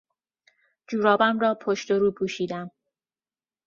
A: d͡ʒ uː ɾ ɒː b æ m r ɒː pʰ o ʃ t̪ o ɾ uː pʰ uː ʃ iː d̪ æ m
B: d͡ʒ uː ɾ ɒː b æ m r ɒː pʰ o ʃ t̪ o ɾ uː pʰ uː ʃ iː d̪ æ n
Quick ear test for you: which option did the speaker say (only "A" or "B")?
A